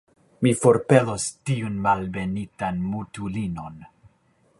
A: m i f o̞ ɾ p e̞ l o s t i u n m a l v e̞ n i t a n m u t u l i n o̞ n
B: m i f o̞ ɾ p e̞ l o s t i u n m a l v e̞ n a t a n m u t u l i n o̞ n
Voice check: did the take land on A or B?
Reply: A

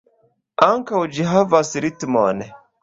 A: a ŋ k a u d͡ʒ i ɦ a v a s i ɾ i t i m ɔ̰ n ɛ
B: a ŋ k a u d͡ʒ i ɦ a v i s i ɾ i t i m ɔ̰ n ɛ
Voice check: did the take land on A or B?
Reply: A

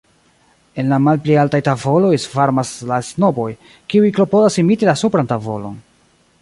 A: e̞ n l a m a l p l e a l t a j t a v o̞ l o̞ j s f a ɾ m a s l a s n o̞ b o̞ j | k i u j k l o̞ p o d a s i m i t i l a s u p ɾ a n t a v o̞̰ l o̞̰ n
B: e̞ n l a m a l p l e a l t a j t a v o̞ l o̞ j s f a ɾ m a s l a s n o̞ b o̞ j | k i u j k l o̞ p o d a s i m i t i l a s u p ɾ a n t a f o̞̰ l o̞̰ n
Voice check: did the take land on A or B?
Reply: A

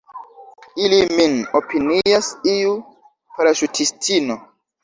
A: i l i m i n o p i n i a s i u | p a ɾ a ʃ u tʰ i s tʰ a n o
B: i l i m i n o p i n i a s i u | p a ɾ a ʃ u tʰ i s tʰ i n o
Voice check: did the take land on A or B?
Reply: B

